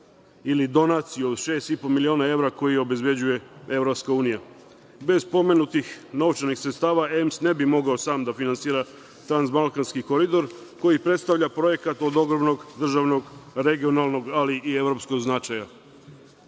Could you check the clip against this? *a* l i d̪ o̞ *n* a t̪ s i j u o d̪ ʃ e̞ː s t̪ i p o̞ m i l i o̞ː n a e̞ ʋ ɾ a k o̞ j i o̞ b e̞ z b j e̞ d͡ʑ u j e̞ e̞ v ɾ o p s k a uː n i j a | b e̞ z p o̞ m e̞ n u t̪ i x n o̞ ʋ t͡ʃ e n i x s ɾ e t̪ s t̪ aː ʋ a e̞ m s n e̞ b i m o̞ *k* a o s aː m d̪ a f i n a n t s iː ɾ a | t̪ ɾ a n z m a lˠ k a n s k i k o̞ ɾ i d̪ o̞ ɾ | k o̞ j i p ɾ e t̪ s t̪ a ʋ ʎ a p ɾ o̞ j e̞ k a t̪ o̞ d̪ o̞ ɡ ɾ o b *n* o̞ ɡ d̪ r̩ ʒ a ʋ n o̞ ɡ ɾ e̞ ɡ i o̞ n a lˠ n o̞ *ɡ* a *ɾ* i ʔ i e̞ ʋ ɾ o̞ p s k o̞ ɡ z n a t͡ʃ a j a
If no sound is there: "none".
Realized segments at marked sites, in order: i, n, ɡ, n, ɡ, l

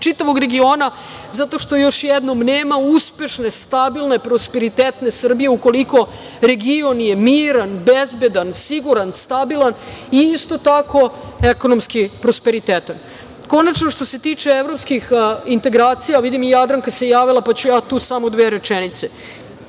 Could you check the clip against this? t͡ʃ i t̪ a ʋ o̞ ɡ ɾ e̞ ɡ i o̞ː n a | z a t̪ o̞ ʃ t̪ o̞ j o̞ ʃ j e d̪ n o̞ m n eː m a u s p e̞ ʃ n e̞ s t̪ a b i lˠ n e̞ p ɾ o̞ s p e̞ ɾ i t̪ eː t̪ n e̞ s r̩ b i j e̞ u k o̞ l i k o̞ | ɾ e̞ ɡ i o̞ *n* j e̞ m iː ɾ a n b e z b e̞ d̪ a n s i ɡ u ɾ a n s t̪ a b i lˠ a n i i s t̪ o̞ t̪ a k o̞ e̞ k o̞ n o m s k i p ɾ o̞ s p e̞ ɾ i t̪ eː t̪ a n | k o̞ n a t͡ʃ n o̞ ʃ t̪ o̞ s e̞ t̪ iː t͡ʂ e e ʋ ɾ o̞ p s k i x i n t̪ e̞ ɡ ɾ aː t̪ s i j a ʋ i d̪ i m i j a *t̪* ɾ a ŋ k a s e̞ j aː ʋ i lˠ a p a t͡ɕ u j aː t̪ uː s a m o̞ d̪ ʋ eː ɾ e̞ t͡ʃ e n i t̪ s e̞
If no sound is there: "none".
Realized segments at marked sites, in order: n, d̪

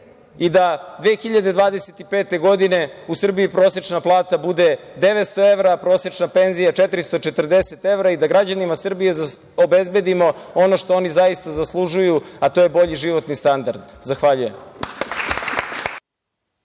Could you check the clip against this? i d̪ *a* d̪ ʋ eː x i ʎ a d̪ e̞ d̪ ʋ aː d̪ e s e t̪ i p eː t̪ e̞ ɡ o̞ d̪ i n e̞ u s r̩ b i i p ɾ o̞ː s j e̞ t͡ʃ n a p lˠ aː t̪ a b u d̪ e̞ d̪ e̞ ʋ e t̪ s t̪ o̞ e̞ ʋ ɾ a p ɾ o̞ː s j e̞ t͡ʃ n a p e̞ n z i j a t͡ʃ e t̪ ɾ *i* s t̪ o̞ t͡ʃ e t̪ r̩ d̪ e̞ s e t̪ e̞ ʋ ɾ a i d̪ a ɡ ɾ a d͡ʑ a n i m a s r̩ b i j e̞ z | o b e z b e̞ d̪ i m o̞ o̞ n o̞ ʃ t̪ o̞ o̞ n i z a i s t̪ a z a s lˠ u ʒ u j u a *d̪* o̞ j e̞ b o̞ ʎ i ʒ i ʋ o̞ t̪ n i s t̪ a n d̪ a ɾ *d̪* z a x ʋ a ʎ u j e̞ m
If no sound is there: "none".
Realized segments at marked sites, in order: a, i, t̪, d̪

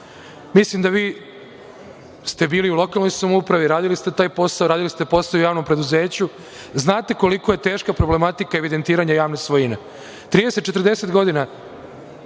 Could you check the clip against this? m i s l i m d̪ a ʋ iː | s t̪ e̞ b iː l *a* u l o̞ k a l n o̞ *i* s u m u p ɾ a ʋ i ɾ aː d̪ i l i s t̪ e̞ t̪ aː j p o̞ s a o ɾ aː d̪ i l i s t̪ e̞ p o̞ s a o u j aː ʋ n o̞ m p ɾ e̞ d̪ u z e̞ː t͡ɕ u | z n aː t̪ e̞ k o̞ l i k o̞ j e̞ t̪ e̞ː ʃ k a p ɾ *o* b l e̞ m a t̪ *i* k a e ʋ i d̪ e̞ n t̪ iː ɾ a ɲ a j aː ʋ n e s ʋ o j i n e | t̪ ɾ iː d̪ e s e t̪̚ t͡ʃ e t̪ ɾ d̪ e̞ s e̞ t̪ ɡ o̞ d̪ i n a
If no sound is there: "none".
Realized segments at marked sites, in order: i, j, o, i

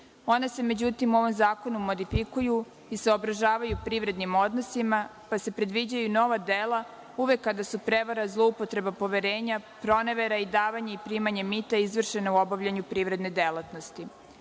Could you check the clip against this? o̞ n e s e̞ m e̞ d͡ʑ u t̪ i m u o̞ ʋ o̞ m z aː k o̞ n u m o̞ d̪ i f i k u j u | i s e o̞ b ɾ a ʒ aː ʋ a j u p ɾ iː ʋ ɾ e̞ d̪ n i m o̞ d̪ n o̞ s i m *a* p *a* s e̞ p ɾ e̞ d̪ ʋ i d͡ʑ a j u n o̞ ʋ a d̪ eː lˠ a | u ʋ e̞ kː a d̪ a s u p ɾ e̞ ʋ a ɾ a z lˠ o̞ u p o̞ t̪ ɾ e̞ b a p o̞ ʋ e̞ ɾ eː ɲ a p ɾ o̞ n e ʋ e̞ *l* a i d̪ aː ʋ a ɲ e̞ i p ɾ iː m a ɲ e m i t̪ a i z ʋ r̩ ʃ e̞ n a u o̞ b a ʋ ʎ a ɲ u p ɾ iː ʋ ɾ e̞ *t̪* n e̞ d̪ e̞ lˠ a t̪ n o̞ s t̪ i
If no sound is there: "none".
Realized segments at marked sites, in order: a, a, ɾ, d̪

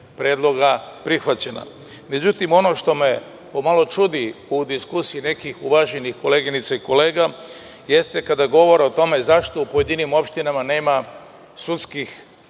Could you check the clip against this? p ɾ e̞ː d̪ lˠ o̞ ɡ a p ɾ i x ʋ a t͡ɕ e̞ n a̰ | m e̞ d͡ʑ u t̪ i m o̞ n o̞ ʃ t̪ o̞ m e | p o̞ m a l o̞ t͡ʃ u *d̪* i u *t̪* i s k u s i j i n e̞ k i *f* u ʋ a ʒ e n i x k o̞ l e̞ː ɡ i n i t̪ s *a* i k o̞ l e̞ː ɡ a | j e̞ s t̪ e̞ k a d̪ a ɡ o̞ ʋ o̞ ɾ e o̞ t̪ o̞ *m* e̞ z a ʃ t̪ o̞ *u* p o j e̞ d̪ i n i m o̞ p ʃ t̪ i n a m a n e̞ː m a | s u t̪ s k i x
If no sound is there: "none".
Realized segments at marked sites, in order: d̪, d̪, x, a, m, u

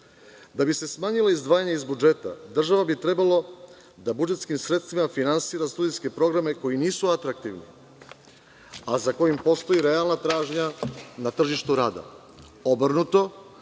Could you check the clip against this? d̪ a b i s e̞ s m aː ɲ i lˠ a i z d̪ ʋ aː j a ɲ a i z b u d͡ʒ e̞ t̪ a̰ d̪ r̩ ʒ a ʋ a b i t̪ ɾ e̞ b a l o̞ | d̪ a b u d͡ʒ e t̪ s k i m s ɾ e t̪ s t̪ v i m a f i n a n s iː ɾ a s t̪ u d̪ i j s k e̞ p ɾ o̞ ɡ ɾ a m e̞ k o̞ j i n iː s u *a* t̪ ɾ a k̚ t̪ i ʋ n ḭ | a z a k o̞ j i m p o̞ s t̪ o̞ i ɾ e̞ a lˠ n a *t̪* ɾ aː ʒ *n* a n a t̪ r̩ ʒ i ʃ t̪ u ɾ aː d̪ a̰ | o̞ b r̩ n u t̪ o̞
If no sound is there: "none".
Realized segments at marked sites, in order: a, t̪, ɲ

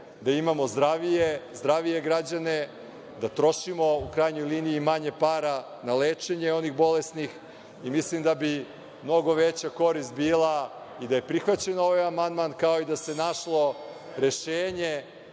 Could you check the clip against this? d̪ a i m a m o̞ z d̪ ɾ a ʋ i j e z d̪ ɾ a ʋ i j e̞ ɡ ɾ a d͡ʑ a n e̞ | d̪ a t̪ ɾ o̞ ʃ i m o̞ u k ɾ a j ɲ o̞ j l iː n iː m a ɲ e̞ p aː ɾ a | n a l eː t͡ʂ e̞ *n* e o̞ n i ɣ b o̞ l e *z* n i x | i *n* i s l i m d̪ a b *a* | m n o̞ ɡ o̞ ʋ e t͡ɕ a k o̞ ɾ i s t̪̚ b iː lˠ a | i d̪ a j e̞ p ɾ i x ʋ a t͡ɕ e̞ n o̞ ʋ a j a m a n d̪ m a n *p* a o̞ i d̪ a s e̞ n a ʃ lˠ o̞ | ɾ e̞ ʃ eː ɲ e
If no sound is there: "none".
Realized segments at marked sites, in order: ɲ, s, m, i, k

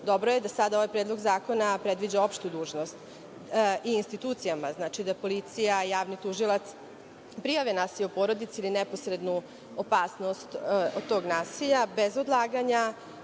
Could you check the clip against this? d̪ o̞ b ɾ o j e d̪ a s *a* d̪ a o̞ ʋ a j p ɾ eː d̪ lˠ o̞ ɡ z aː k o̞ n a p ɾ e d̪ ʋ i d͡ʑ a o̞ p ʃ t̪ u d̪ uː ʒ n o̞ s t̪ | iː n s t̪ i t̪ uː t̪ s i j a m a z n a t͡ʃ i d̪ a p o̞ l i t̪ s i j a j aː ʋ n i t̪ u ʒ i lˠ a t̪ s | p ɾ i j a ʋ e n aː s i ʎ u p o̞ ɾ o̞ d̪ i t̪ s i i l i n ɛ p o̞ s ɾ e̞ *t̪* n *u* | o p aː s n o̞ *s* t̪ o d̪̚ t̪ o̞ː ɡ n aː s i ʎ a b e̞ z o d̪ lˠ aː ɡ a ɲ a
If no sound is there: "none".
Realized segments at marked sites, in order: a, d̪, u, s

